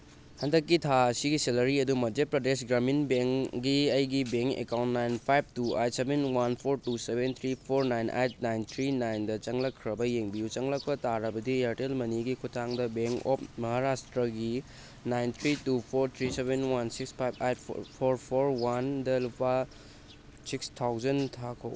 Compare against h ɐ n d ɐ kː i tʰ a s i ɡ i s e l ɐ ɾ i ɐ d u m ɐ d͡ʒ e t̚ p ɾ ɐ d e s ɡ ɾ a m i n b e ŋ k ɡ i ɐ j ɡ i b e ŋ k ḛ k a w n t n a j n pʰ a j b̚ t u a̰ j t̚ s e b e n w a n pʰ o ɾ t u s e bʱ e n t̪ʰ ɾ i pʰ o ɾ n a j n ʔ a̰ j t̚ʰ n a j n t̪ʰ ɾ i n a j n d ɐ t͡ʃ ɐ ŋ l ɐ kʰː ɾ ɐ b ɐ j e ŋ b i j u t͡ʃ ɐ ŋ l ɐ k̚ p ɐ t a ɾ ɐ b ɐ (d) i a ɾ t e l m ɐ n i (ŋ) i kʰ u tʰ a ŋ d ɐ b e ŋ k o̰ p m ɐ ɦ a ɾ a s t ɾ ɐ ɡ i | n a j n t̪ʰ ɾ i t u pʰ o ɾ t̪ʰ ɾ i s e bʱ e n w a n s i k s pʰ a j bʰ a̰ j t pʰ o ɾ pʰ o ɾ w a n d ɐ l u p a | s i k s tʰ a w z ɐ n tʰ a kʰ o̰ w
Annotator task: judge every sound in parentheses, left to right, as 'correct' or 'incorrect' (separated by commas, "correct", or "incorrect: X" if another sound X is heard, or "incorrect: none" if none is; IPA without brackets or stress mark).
correct, incorrect: ɡ